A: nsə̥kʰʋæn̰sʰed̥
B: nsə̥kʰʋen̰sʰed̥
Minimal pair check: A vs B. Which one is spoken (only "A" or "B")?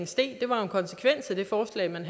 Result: B